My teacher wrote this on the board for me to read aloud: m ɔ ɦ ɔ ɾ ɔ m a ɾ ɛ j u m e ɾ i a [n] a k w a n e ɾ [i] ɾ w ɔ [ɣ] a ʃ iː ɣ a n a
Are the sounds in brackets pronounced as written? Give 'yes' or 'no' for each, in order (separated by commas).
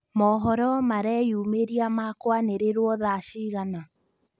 no, no, no